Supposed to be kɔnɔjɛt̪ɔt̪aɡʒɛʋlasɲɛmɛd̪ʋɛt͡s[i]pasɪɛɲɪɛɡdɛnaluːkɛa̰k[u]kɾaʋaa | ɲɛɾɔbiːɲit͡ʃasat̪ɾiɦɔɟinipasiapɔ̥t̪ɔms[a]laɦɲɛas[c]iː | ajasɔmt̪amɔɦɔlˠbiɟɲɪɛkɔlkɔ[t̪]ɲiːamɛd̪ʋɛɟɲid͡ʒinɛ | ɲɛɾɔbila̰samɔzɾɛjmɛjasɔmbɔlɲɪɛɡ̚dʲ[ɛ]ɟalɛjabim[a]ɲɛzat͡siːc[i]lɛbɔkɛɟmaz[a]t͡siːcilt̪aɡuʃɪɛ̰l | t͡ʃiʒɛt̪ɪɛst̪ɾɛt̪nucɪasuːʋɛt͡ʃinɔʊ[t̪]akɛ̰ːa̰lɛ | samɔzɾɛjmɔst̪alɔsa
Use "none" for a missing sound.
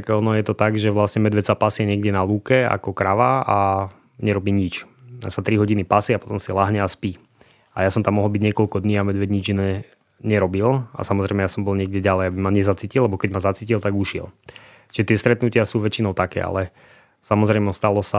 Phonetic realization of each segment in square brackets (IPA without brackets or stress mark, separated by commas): a, ɔ, i, p, d̪, ɛ, a, i, a, t̪